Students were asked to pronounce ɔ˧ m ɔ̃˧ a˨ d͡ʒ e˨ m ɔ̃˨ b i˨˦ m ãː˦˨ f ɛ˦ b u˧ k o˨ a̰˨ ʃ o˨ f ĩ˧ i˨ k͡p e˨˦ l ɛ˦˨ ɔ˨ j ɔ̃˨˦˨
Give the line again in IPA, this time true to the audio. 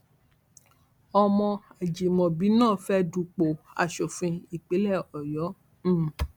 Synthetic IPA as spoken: ɔ˧ m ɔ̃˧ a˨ d͡ʒ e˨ m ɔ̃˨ b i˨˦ n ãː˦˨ f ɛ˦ d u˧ k͡p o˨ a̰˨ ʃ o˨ f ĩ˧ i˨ k͡p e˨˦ l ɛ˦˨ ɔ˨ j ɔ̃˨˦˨